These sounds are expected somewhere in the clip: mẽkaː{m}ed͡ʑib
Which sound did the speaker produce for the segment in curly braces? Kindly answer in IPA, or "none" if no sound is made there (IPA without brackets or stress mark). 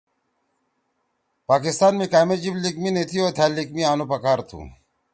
m